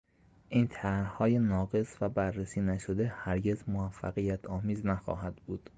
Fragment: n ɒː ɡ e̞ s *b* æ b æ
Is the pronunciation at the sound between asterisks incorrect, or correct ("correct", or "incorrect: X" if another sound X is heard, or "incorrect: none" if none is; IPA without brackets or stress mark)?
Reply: incorrect: v